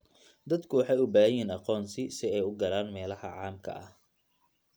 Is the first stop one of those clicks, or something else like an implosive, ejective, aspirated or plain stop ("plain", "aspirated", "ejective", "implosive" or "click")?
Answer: plain